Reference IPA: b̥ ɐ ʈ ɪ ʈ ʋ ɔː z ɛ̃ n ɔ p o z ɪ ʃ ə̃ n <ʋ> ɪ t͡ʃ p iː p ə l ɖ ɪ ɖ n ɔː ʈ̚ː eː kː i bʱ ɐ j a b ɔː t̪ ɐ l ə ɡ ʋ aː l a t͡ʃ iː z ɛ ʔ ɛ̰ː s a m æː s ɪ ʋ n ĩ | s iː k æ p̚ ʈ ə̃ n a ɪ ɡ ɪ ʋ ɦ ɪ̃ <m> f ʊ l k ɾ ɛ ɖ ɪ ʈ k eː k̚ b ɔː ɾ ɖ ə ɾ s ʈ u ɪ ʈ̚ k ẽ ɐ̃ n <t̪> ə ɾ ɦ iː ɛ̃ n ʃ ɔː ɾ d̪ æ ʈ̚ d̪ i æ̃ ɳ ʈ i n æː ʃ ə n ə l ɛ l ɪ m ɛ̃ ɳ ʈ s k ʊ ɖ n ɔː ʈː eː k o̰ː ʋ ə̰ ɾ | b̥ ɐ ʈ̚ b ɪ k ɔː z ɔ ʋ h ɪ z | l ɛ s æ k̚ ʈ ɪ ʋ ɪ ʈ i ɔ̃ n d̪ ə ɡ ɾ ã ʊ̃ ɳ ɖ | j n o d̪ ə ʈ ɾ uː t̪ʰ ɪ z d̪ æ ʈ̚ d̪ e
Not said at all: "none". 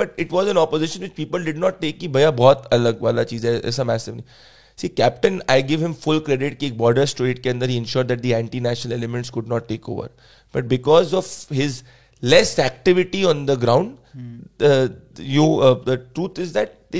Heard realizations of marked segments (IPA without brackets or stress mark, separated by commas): ʋ, m, d̪